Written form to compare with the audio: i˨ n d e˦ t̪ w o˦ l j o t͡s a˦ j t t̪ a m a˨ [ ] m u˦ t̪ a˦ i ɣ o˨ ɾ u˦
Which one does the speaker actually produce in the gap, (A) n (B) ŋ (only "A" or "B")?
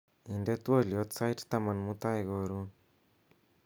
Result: A